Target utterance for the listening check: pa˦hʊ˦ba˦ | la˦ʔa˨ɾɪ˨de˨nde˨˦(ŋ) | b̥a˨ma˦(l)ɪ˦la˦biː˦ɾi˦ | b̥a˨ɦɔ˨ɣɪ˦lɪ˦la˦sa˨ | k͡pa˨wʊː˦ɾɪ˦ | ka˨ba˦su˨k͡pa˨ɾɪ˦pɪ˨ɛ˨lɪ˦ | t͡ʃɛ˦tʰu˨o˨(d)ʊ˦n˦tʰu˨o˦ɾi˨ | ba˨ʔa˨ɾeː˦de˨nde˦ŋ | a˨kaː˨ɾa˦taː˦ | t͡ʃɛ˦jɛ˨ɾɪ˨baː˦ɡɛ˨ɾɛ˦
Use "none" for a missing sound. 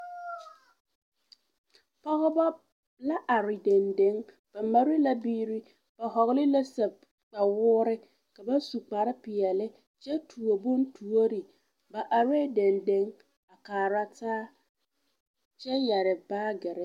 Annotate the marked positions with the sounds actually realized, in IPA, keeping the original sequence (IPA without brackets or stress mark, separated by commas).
ŋ, ɾ, b